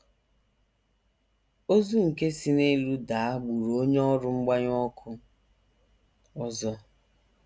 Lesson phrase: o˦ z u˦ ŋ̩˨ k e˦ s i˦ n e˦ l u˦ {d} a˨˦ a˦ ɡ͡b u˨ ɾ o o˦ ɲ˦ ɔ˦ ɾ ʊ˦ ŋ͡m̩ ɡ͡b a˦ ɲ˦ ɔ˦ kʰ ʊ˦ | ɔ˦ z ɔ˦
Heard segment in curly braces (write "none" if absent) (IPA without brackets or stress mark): d